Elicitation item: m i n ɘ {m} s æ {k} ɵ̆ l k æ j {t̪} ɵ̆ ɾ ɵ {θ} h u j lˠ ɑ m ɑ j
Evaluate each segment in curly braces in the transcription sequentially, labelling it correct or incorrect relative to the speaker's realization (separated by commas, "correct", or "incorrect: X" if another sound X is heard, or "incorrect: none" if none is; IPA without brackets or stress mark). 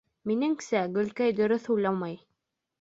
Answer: incorrect: ŋ, incorrect: ɡ, incorrect: d̪, correct